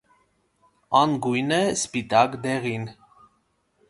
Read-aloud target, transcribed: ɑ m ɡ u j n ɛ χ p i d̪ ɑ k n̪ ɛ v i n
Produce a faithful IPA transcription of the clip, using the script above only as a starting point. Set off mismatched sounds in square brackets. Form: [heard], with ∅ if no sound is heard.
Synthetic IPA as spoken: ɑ [n] ɡ u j n ɛ [s] p i [t̪] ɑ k [d̪] ɛ [ʁ] i n